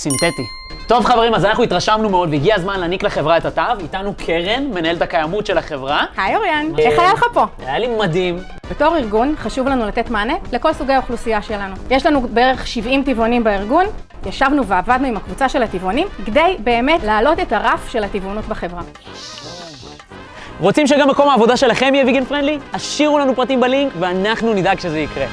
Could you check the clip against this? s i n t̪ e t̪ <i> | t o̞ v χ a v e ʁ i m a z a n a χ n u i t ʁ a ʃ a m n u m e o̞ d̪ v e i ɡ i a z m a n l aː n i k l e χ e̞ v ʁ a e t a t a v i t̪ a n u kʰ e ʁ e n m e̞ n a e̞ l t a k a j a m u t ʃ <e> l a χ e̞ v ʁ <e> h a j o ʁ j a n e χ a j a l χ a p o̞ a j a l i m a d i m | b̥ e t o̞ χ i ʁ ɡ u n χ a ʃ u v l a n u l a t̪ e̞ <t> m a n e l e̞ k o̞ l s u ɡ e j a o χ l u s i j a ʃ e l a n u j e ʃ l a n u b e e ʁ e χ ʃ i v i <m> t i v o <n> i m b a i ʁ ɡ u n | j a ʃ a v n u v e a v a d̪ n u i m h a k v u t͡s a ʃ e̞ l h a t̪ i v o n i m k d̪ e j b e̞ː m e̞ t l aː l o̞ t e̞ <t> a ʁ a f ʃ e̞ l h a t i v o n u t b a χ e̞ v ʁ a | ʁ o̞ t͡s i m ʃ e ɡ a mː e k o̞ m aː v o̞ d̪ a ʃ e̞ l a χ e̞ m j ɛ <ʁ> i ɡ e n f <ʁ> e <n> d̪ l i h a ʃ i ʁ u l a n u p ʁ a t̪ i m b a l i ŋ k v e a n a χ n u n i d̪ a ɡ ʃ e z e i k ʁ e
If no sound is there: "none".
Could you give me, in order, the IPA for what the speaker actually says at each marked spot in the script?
i, e, a, t, m, n, t, v, ʁ, n

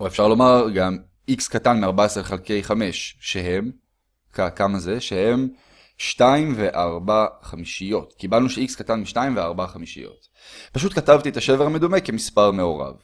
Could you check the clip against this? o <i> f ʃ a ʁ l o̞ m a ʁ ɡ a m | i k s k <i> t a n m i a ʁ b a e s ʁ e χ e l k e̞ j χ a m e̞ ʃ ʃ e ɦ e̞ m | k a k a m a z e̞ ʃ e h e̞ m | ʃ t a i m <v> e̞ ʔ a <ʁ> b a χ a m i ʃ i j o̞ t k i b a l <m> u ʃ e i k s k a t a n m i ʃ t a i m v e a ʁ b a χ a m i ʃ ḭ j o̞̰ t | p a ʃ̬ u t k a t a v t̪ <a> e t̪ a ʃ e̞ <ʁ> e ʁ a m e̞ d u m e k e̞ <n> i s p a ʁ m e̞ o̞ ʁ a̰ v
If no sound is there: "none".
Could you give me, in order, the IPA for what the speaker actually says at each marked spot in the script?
e, a, v, ʁ, n, i, v, m

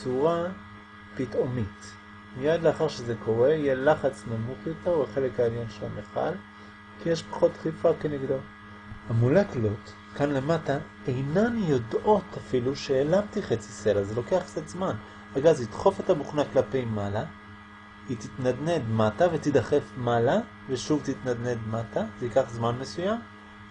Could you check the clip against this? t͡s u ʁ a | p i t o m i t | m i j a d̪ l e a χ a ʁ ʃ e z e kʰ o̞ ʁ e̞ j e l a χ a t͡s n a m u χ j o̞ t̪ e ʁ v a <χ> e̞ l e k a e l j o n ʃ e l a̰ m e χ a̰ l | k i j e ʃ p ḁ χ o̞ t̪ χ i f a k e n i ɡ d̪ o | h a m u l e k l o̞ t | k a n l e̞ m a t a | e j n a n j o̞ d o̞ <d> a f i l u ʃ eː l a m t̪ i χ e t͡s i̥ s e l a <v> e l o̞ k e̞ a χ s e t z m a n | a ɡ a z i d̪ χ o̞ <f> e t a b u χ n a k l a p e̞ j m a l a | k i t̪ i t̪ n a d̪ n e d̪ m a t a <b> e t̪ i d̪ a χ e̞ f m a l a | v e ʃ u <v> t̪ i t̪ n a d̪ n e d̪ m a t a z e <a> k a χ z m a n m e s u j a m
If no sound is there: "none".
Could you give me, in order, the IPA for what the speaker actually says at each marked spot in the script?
χ, t, z, f, v, v, i

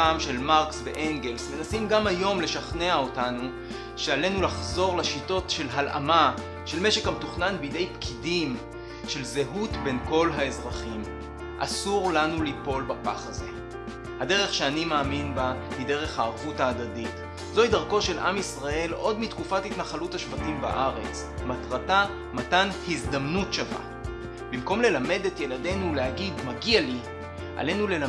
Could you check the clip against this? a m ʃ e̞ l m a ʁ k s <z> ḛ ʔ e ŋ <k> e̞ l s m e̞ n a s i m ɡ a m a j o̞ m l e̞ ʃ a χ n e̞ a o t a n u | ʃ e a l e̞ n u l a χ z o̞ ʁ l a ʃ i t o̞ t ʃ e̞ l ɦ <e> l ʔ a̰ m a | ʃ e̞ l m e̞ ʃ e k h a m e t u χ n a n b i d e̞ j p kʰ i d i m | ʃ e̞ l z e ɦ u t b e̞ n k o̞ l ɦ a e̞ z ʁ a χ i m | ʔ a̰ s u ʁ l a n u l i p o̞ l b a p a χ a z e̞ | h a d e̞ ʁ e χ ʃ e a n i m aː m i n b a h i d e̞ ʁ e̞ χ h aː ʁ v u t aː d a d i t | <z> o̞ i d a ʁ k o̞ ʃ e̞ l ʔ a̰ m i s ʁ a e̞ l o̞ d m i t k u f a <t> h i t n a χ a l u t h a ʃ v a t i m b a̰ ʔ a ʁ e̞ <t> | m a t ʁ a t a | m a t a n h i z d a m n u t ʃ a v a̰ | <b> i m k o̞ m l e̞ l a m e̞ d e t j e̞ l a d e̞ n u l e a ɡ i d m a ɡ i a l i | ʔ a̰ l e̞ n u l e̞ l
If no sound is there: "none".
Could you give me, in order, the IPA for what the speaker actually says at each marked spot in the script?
v, ɡ, a, z, t, t͡s, b

